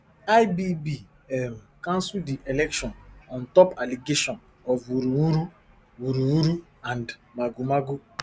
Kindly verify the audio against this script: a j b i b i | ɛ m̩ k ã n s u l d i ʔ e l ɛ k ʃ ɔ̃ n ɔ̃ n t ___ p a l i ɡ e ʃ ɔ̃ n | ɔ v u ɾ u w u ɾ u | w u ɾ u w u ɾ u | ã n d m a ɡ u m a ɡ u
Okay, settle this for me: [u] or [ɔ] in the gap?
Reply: ɔ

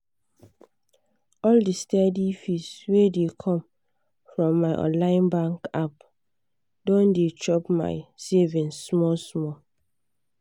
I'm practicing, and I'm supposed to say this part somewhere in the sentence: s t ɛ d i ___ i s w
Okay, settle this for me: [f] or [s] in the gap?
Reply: f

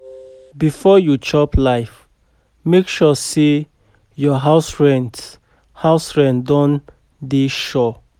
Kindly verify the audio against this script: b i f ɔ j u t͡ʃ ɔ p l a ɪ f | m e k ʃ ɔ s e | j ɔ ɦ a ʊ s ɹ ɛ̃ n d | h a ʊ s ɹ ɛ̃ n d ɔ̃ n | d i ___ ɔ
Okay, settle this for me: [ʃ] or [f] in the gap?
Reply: ʃ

